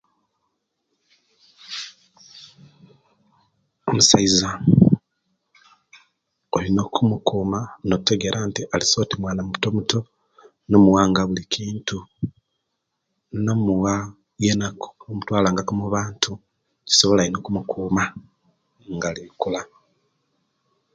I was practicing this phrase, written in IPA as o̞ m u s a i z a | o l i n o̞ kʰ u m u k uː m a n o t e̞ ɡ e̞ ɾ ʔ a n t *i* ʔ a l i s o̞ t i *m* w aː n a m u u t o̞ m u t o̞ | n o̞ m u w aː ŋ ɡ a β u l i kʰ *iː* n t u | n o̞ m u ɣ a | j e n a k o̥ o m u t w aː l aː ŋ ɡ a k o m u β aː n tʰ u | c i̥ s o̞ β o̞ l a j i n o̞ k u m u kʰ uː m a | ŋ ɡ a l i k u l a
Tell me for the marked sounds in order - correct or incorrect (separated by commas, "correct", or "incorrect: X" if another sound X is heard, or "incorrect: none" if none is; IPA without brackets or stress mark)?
correct, correct, correct